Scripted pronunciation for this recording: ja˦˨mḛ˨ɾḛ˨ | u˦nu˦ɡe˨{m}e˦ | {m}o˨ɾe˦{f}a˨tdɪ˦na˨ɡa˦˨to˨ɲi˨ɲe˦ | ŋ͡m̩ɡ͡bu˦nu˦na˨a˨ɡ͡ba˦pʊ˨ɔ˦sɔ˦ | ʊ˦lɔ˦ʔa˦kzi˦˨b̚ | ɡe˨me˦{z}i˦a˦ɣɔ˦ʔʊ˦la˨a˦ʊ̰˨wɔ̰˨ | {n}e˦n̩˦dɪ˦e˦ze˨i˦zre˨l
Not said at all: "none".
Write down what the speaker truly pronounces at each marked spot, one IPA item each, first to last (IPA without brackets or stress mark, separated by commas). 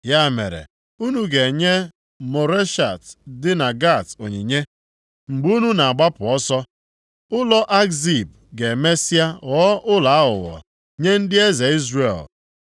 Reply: ɲ, m, ʃ, s, ɲ